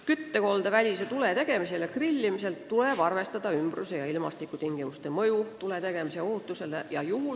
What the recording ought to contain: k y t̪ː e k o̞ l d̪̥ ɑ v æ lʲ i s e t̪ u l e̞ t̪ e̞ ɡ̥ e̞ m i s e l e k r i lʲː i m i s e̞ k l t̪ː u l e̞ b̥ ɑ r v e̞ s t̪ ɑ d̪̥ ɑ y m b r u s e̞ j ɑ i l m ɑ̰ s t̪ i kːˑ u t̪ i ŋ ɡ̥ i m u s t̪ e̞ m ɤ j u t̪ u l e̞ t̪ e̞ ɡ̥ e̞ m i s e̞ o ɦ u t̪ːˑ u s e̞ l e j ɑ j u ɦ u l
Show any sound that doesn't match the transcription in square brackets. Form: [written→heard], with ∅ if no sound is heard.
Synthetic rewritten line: k y t̪ː e k o̞ l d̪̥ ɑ v æ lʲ i s e t̪ u l e̞ t̪ e̞ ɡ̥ e̞ m i s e l e k r i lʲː i m i s e̞ [k→∅] l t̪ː u l e̞ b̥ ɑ r v e̞ s t̪ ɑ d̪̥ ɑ y m b r u s e̞ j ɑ i l m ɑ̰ s t̪ i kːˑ u t̪ i ŋ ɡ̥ i m u s t̪ e̞ m ɤ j u t̪ u l e̞ t̪ e̞ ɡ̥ e̞ m i s e̞ o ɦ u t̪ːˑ u s e̞ l e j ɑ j u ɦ u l